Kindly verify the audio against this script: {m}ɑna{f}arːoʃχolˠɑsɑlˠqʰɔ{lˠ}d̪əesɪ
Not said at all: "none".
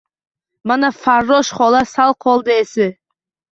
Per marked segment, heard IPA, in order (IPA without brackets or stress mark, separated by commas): m, f, lˠ